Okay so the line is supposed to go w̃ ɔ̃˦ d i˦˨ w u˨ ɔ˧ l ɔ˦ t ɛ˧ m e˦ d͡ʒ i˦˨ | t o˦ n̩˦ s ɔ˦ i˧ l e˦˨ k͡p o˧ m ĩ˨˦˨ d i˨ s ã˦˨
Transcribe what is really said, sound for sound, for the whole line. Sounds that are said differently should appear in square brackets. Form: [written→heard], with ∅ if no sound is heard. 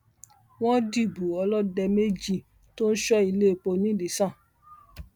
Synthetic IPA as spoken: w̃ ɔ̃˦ d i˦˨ [w→b] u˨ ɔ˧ l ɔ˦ [t→d] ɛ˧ m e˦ d͡ʒ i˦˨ | t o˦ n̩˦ [s→ʃ] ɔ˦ i˧ l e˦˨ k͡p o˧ [m→n] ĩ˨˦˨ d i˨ s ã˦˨